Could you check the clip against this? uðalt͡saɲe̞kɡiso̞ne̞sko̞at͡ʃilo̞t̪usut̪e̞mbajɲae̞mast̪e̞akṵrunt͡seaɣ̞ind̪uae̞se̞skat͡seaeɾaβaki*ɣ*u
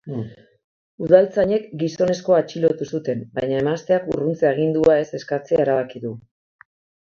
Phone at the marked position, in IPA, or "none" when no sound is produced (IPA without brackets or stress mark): ð